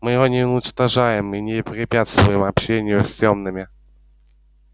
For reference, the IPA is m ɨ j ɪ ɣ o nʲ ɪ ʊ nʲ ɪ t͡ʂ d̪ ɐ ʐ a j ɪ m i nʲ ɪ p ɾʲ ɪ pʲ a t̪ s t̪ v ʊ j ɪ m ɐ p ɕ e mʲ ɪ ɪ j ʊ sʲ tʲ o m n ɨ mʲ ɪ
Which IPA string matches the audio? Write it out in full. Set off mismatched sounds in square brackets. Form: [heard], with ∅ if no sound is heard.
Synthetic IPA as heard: m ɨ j ɪ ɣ o nʲ ɪ ʊ nʲ ɪ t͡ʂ [t̪] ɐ ʐ a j ɪ m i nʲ ɪ p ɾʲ ɪ pʲ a t̪ s t̪ v ʊ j ɪ m ɐ p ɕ e [nʲ] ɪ ɪ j ʊ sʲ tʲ o m n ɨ mʲ ɪ